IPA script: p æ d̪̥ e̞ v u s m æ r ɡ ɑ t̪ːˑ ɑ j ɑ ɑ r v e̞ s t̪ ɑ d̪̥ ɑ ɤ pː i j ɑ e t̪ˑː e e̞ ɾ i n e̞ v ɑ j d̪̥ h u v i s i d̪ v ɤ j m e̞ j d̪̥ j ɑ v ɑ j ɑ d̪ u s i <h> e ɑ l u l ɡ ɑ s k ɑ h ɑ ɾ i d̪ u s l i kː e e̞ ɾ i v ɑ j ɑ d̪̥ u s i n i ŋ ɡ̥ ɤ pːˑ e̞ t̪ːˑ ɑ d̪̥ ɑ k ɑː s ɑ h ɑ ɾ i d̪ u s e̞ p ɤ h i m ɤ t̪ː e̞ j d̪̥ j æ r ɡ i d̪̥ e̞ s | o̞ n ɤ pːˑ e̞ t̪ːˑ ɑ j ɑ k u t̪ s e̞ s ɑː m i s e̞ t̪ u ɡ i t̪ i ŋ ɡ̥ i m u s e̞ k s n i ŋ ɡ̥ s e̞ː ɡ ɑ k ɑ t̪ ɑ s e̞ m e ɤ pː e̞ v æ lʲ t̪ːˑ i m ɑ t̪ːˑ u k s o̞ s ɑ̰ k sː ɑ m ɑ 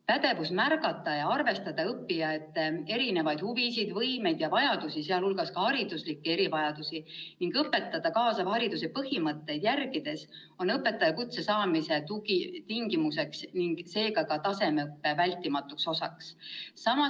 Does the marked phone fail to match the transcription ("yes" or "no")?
yes